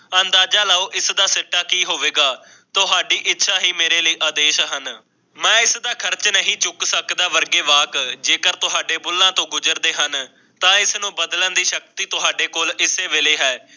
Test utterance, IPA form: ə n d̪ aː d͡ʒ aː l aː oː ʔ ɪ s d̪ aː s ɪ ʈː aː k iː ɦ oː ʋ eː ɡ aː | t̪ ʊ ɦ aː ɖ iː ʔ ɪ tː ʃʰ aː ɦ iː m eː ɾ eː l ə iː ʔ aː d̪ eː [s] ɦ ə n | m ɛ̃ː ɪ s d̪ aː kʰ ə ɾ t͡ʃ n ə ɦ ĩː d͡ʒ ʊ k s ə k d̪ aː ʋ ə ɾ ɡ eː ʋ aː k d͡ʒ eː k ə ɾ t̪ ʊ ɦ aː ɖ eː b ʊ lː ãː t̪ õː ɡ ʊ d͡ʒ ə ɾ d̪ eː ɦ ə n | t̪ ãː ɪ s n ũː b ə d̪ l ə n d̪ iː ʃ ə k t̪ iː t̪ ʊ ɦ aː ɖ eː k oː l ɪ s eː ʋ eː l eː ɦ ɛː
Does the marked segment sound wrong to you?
yes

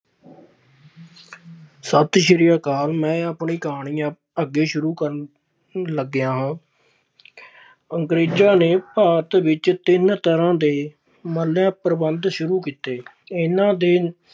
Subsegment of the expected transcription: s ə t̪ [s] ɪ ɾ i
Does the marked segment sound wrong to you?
yes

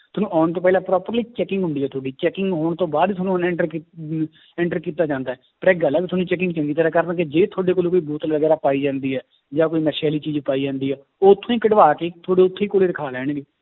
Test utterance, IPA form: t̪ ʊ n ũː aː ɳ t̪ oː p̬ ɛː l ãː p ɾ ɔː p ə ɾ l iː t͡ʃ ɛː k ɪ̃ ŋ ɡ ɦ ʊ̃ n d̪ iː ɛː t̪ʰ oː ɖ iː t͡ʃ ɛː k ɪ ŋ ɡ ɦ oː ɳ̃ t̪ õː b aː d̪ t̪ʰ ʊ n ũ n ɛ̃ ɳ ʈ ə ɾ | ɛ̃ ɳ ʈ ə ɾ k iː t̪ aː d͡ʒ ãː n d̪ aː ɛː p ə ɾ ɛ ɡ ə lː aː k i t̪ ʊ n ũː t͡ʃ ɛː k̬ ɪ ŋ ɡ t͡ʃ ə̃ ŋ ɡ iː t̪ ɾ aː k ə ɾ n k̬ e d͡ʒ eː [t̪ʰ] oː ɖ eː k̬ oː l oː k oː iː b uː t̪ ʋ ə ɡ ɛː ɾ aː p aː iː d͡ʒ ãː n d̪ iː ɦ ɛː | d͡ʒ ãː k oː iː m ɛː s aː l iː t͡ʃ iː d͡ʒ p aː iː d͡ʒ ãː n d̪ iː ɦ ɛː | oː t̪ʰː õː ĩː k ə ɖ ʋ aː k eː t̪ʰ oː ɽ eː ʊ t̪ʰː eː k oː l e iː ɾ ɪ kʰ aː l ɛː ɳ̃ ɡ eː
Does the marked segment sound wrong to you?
no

